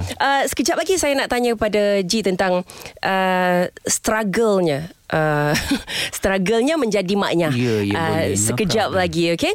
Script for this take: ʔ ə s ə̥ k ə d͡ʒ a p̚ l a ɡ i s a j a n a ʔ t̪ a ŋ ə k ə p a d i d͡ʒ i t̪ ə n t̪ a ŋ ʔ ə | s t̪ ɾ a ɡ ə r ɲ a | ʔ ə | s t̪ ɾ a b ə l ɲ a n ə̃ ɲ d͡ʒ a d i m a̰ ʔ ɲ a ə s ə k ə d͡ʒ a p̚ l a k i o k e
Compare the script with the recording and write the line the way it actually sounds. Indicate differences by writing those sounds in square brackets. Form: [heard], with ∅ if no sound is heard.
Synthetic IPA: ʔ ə s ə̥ k ə d͡ʒ a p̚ l a ɡ i s a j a n a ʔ t̪ a [ɲ] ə k ə p a d [a] d͡ʒ i t̪ ə n t̪ a ŋ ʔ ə | s t̪ ɾ a ɡ ə [l] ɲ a | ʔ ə | s t̪ ɾ a [ɡ] ə l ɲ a [m] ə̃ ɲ d͡ʒ a d i m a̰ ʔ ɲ a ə s ə k ə d͡ʒ a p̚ l a [ɡ] i o k e